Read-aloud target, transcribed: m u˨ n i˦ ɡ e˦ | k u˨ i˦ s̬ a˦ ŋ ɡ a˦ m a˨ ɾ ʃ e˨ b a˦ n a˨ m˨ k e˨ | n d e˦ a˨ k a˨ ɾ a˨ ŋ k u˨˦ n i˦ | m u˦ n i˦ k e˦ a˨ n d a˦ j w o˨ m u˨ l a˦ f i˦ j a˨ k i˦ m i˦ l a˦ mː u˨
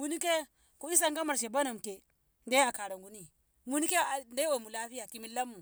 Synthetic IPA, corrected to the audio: m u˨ n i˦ k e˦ | k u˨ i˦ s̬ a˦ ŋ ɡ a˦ m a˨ ɾ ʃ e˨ b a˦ n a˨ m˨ k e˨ | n d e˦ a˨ k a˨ ɾ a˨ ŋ ɡ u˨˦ n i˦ | m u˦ n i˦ k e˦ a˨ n d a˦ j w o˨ m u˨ l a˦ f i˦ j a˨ k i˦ m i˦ l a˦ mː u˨